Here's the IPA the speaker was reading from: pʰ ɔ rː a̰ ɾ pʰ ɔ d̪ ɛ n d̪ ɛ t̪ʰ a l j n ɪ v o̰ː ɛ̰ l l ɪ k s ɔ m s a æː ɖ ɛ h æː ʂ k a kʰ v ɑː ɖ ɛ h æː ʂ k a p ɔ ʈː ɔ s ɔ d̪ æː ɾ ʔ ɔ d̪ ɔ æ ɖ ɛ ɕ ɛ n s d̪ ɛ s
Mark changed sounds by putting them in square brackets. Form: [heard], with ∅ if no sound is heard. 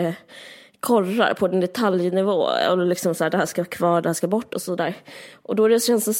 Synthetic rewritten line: [kʰ] ɔ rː a̰ ɾ pʰ ɔ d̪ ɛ n d̪ ɛ t̪ʰ a l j n ɪ v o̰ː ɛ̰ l l ɪ k s ɔ m s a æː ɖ ɛ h æː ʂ k a kʰ v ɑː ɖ ɛ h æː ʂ k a [b] ɔ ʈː ɔ s ɔ d̪ æː ɾ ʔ ɔ d̪ ɔ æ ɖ ɛ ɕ ɛ n s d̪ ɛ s